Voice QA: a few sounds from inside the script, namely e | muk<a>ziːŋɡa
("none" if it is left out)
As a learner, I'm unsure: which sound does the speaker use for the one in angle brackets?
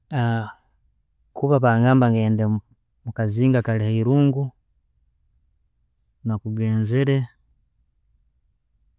a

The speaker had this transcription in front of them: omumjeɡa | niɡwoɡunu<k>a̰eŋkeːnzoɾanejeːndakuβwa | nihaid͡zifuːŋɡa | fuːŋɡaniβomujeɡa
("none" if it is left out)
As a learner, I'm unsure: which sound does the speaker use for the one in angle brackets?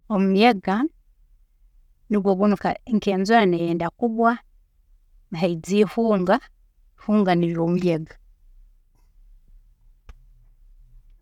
k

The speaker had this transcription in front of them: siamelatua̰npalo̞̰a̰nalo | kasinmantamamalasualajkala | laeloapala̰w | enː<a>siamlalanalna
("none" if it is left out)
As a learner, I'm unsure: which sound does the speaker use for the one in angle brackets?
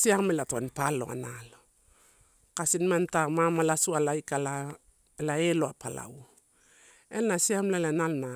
a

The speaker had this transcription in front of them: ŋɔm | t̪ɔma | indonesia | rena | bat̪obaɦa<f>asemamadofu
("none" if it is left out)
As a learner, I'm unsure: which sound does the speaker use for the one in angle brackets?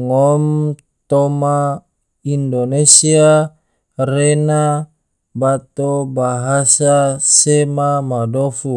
s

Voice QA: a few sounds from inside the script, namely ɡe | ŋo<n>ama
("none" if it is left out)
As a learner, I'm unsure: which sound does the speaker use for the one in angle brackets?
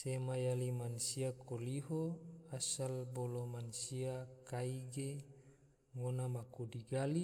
n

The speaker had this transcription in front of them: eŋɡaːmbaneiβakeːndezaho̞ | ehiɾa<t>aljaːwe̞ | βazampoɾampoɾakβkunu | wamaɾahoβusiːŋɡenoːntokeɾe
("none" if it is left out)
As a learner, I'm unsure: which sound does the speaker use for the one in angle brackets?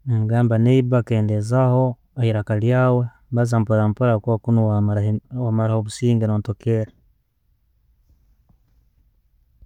k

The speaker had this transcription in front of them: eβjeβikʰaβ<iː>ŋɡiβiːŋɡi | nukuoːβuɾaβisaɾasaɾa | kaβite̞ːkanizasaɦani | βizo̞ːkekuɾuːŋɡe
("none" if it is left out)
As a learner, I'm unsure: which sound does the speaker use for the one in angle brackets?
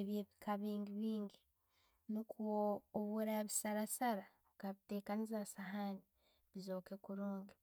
iː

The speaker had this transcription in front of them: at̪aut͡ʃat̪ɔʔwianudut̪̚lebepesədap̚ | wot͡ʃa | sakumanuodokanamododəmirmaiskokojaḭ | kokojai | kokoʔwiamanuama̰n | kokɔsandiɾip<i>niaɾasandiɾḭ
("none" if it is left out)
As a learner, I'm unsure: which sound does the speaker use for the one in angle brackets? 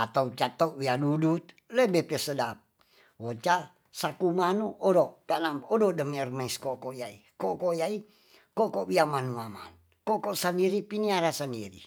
i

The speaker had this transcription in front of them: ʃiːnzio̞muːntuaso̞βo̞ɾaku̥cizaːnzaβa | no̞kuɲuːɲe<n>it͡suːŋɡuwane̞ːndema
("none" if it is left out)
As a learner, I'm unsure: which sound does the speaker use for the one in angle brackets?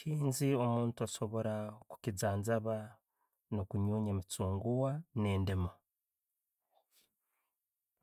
m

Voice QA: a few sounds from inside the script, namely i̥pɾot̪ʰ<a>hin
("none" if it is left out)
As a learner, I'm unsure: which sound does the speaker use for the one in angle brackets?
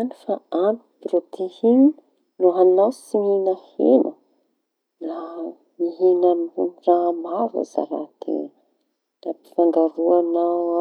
e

